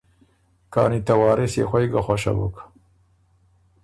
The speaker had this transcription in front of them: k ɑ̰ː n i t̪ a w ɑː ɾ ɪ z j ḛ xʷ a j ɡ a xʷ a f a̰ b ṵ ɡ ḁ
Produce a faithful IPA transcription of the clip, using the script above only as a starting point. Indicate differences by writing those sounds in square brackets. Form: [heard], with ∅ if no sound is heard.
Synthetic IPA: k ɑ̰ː n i t̪ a w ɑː ɾ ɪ [s] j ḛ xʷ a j ɡ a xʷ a [ʃ] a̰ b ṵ [k] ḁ